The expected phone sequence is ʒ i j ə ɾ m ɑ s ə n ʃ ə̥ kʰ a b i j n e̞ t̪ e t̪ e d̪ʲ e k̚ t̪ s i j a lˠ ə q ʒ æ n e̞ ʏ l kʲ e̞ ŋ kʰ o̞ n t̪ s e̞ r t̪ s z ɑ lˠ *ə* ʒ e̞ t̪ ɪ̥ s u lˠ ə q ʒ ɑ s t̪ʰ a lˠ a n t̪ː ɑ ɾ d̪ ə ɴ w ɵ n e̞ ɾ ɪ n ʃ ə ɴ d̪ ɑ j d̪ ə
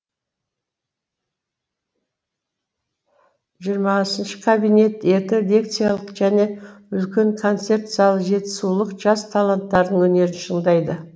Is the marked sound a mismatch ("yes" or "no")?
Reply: no